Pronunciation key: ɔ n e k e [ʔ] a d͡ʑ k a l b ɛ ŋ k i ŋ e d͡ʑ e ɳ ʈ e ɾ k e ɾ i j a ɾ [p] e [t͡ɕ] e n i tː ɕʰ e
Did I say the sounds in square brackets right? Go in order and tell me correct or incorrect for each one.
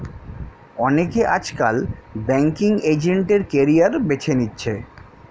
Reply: correct, incorrect, incorrect

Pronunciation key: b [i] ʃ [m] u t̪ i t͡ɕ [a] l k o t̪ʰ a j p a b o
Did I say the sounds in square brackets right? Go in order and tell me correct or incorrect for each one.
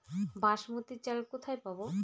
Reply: incorrect, correct, correct

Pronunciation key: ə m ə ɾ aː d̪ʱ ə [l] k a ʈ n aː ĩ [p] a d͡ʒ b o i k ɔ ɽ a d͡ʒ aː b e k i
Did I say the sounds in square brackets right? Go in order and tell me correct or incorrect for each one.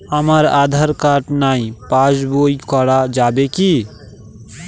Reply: incorrect, correct

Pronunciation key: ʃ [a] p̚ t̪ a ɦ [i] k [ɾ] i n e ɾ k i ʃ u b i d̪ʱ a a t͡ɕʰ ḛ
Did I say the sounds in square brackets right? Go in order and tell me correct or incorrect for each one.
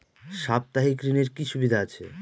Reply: correct, correct, correct

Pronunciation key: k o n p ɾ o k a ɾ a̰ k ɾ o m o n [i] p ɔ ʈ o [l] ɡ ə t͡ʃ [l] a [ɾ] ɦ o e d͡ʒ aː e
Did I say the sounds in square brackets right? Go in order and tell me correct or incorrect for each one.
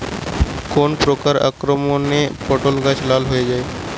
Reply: incorrect, correct, correct, incorrect

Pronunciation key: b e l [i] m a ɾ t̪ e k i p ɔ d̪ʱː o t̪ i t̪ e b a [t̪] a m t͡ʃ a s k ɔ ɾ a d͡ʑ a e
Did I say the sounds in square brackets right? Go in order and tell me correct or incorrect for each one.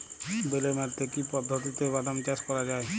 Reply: incorrect, incorrect

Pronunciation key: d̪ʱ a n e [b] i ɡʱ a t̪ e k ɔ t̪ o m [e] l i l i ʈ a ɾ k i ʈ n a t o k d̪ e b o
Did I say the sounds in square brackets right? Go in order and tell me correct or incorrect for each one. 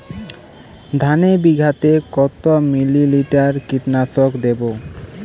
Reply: correct, incorrect

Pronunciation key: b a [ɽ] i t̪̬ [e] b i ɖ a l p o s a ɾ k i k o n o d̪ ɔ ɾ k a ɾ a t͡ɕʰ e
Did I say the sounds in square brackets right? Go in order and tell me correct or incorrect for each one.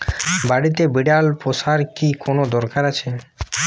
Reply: correct, correct

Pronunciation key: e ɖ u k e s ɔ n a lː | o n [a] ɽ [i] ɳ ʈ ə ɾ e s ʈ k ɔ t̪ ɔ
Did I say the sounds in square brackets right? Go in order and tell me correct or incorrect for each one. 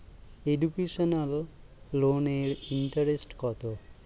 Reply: incorrect, correct

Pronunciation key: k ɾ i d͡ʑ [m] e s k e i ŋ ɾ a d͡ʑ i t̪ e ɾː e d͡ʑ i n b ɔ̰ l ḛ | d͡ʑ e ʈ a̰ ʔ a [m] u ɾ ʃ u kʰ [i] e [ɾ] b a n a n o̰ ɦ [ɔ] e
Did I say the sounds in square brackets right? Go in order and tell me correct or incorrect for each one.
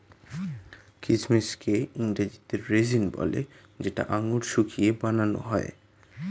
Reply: correct, incorrect, correct, incorrect, correct

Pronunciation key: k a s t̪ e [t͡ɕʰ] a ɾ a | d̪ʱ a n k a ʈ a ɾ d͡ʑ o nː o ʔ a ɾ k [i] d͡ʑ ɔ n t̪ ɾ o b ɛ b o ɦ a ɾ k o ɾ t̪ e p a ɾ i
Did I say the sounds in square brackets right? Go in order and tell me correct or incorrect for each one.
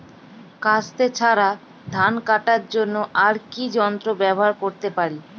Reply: correct, correct

